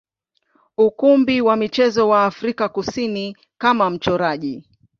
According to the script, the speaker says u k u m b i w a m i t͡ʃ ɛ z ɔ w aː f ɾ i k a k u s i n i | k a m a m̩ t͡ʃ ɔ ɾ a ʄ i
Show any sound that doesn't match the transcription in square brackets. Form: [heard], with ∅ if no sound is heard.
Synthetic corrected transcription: u k u m b i w a m i t͡ʃ ɛ z ɔ w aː f ɾ i k a k u s i n i | k a m a m̩ t͡ʃ ɔ ɾ a ʄ i

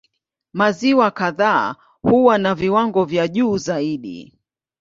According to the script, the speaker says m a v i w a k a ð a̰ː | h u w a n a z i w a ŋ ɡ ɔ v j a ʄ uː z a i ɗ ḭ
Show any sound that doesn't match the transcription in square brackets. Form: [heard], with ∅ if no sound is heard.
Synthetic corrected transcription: m a [z] i w a k a ð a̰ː | h u w a n a [v] i w a ŋ ɡ ɔ v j a ʄ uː z a i ɗ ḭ

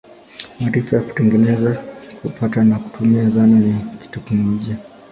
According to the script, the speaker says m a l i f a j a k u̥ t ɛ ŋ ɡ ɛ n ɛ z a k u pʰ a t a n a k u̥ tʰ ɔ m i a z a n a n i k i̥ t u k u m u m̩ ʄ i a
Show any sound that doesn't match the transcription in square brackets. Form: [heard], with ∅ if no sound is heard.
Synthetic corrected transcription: m a [ɾ] i f a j a k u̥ t ɛ ŋ ɡ ɛ n ɛ z a k u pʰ a t a n a k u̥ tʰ [u] m i a z a n a n i k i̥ t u k u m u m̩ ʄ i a

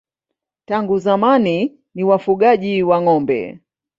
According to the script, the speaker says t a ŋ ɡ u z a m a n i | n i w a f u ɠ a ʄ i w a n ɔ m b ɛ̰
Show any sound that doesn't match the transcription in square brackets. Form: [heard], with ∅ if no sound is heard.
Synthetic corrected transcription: t a ŋ ɡ u z a m a n i | n i w a f u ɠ a ʄ i w a [ŋ] ɔ m b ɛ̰

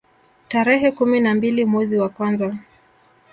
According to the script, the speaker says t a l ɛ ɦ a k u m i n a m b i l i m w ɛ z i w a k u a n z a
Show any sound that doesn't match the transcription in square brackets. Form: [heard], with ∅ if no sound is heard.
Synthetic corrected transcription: t a [ɾ] ɛ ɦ [ɛ] k u m i n a m b i l i m w ɛ z i w a k [w] a n z a

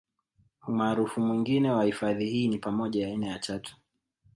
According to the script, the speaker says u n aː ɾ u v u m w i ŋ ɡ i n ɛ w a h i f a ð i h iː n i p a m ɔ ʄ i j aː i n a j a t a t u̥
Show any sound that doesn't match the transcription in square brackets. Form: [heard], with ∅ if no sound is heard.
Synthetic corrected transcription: u [m] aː ɾ u [f] u m w i ŋ ɡ i n ɛ w a h i f a ð i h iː n i p a m ɔ ʄ [a] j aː i n a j a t a t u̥

